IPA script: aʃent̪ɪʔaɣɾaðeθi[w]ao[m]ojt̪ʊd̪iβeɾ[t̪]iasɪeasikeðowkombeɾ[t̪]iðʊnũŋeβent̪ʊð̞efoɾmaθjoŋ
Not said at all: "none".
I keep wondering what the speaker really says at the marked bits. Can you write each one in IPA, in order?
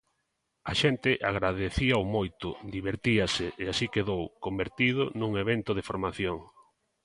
none, m, t̪, t̪

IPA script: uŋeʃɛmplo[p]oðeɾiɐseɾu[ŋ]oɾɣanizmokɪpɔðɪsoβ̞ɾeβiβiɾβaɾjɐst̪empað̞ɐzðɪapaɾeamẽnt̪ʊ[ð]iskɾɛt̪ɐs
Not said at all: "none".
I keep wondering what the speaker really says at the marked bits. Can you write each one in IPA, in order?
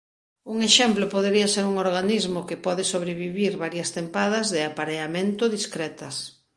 p, ŋ, ð

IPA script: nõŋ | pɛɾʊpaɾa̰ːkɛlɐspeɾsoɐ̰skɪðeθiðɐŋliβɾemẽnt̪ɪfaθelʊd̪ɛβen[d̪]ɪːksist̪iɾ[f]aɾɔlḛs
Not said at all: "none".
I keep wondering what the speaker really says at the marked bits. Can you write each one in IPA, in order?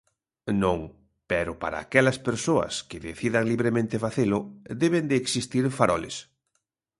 d̪, f

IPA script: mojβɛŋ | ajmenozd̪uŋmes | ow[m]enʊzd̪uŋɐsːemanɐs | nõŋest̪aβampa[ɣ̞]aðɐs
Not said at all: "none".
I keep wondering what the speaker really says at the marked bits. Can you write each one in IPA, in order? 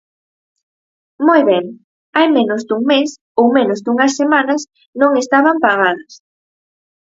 m, ɣ̞

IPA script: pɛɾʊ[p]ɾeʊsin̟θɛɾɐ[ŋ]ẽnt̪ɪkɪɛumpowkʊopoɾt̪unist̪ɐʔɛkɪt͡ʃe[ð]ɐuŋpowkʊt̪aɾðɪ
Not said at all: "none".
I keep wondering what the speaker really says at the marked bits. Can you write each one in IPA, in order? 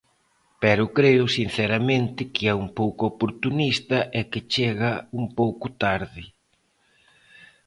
k, m, ɣ

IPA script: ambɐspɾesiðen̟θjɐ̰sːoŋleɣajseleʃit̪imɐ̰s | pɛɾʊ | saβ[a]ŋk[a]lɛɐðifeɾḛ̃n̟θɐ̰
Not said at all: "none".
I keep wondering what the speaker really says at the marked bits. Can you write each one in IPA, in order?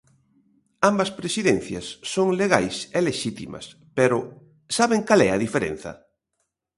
e, a

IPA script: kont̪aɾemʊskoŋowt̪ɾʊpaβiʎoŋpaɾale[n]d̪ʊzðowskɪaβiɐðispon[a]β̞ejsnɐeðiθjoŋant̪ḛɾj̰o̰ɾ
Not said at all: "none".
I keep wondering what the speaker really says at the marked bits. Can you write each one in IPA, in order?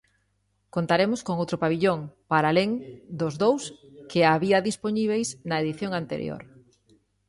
ŋ, i

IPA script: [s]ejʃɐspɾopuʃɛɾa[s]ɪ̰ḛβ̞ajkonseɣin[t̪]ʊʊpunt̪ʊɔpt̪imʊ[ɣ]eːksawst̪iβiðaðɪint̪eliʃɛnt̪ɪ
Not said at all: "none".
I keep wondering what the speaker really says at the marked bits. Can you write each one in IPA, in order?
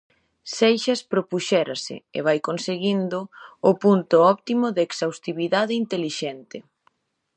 s, s, d̪, ð

